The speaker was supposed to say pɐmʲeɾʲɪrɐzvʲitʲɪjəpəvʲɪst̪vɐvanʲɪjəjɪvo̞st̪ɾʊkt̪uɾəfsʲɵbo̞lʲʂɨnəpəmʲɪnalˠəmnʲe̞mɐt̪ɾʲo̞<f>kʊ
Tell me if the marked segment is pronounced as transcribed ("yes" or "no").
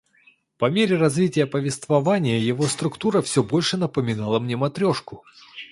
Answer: no